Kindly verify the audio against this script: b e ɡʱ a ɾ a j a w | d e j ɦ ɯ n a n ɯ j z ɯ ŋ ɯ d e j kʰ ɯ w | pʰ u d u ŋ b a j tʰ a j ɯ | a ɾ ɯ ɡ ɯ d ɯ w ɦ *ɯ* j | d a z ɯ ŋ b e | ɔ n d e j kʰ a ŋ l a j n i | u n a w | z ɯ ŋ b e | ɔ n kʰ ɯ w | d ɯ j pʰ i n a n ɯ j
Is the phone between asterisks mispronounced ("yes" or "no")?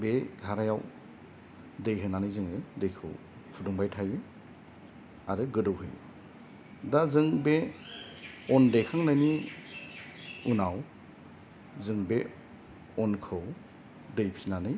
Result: no